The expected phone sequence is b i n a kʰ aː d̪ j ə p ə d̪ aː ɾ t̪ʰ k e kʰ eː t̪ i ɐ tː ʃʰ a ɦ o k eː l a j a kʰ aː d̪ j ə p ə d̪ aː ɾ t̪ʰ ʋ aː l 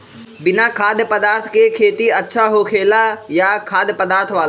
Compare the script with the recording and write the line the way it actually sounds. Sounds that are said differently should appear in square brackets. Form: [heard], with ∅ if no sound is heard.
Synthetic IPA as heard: b [ɪ] n a kʰ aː d̪ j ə p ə d̪ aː ɾ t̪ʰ k e kʰ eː t̪ i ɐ tː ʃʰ a ɦ o [kʰ] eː l a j a kʰ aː d̪ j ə p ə d̪ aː ɾ t̪ʰ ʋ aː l